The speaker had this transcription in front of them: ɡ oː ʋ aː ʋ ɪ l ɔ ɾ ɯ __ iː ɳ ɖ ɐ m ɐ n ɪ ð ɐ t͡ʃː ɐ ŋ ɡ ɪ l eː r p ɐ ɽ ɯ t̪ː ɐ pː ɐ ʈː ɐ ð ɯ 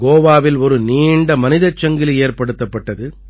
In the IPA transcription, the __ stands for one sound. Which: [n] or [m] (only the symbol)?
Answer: n